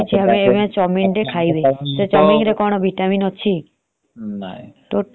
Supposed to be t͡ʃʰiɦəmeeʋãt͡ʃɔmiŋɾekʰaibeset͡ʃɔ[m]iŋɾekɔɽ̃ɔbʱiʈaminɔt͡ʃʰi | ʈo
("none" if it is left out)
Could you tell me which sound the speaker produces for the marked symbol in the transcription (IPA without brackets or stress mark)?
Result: m